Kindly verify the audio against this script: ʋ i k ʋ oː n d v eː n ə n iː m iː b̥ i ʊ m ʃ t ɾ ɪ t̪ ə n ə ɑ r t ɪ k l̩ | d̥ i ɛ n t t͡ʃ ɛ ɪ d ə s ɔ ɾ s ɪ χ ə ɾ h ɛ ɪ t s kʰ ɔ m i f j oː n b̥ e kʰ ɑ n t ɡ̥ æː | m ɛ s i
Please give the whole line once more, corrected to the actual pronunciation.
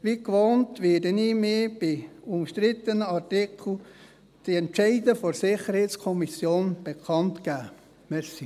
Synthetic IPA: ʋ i k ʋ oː n t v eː d ə n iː m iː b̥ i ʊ m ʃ t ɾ ɪ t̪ ə n ə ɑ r t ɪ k l̩ | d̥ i ɛ n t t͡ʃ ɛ ɪ d ə f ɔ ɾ s ɪ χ ə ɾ h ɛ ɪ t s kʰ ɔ m i s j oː n b̥ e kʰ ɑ n t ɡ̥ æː | m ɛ s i